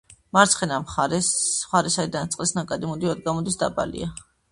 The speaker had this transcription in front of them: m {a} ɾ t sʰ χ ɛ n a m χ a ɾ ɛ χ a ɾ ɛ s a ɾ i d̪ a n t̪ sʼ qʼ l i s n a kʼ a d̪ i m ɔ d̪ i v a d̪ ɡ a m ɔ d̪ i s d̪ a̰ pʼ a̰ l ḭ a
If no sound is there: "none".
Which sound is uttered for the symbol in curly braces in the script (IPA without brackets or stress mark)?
a